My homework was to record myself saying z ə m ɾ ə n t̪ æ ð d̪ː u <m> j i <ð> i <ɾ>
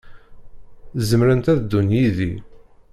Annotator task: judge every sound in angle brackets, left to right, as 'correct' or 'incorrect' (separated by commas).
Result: incorrect, correct, incorrect